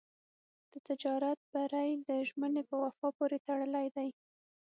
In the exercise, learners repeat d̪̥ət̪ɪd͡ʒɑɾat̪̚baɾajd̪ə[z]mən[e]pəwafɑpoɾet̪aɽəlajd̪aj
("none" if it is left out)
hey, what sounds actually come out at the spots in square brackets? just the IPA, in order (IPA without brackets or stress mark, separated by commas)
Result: ʒ, e